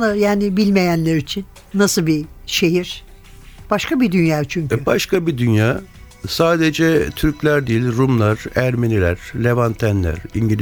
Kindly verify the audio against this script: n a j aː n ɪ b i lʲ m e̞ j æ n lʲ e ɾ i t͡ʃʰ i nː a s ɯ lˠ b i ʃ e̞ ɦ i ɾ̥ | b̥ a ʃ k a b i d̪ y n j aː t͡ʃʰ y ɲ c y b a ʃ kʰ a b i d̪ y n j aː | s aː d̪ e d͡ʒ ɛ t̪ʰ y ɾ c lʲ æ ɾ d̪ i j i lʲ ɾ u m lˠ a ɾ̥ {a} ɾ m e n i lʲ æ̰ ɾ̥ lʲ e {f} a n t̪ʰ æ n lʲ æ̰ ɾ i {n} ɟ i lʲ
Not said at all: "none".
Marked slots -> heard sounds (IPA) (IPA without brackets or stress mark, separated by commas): æ, v, ɲ